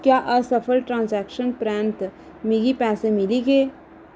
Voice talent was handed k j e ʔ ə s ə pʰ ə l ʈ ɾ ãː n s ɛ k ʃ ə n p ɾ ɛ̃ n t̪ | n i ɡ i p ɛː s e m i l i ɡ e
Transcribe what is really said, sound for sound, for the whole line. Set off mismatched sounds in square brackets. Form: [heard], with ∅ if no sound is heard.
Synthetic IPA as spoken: k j [a] ʔ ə s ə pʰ ə l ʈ ɾ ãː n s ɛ k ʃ ə n p ɾ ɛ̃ n t̪ | [m] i ɡ i p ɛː s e m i l i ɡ e